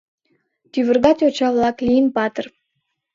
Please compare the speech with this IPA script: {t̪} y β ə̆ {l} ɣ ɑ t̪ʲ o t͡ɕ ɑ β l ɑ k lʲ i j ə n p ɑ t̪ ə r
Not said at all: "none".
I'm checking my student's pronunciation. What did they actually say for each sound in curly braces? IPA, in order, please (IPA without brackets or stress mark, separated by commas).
t̪, r